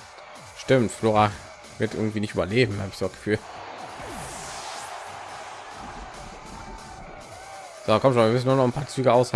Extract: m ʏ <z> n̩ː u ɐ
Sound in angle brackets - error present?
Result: yes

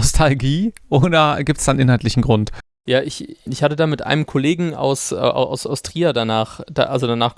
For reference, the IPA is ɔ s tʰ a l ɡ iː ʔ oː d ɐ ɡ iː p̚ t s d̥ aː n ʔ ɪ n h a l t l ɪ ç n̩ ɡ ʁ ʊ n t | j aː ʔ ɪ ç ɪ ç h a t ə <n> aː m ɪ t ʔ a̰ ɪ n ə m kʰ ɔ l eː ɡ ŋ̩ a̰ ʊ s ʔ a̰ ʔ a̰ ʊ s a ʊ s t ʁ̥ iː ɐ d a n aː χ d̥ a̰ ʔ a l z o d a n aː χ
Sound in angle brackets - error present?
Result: yes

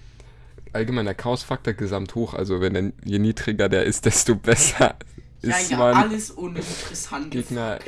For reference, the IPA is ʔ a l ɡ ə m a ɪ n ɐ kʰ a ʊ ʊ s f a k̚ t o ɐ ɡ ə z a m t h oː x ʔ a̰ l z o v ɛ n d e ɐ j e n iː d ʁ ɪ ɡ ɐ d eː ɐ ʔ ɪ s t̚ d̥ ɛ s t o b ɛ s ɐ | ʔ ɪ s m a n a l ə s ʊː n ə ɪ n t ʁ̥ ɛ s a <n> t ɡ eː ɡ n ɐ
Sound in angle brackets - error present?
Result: no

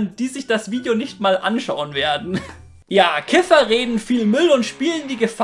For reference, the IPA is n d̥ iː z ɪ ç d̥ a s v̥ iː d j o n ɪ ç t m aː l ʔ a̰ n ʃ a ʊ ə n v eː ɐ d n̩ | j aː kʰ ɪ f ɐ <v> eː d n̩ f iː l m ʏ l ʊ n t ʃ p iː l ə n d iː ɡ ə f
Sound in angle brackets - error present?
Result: yes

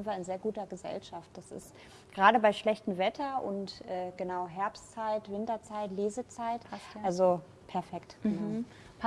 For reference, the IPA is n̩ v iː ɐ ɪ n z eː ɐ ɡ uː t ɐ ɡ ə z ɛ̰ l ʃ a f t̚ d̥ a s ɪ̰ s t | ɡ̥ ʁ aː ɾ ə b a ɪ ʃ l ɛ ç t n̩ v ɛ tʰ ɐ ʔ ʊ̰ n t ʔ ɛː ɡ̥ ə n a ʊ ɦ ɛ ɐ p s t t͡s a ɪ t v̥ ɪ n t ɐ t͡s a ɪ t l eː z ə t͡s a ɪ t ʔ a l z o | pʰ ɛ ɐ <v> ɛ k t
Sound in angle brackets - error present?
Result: yes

